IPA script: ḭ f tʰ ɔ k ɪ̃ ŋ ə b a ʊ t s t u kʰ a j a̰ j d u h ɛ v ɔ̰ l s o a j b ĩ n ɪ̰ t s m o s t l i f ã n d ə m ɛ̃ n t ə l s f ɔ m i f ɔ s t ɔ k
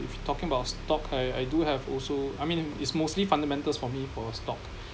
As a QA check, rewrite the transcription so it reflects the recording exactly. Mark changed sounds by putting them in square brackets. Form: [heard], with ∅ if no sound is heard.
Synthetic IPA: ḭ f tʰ ɔ k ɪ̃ ŋ ə b a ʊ t s t [ɔ] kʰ a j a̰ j d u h ɛ v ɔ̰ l s o a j [m] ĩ n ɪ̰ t s m o s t l i f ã n d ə m ɛ̃ n t ə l s f ɔ m i f ɔ s t ɔ k